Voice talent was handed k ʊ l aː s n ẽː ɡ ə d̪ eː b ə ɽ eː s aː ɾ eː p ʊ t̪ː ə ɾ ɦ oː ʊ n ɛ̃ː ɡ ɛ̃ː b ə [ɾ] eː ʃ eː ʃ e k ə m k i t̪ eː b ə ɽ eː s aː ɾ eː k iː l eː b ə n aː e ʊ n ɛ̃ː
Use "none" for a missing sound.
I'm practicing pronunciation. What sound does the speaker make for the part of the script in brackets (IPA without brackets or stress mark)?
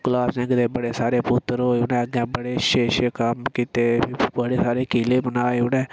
ɽ